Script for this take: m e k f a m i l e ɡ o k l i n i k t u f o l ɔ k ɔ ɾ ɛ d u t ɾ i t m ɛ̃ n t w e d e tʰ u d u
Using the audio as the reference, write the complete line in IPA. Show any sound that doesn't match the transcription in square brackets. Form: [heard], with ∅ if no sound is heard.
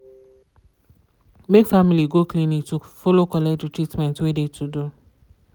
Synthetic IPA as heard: m e k f a m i l [i] ɡ o k l i n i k t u f o l [o] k ɔ [l] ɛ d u t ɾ i t m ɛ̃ n t w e d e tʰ u d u

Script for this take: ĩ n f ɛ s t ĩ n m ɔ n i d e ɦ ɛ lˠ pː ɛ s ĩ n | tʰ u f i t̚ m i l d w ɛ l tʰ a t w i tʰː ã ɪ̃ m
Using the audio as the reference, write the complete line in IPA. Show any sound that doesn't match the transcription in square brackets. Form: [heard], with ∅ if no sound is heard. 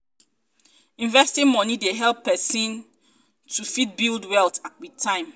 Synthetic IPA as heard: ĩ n [v] ɛ s t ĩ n m ɔ n i d e ɦ ɛ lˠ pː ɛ s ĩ n | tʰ u f i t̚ [b] i l d w ɛ l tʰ a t w i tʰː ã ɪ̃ m

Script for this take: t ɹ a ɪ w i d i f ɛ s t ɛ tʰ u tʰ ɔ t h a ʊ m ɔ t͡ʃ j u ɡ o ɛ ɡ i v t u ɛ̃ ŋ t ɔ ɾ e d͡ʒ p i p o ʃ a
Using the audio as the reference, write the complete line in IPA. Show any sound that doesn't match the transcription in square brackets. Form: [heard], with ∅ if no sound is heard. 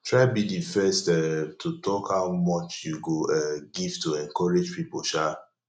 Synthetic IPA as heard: t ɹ a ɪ [b] i d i f ɛ s t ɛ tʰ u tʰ ɔ [k] h a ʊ m ɔ t͡ʃ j u ɡ o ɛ ɡ i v t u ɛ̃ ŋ [k] ɔ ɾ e d͡ʒ p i p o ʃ a

